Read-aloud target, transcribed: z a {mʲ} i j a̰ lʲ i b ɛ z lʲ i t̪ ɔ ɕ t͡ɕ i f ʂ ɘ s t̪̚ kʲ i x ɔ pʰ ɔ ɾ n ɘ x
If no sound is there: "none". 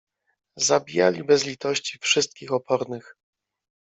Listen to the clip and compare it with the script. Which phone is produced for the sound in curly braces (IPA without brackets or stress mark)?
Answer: bʲ